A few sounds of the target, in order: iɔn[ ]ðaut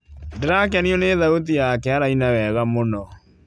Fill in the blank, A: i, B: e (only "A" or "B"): B